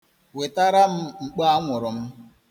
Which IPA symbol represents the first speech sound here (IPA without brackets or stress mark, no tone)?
w